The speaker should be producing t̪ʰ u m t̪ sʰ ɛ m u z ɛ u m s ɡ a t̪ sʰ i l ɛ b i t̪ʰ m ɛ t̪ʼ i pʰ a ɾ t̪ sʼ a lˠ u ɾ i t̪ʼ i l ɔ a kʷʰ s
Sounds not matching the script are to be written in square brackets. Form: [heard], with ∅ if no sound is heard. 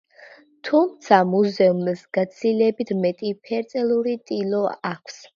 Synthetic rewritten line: t̪ʰ u m t̪ sʰ [a] m u z ɛ u m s ɡ a t̪ sʰ i l ɛ b i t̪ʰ m ɛ t̪ʼ i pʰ [ɛ] ɾ t̪ sʼ [ɛ] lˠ u ɾ i t̪ʼ i l ɔ a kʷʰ s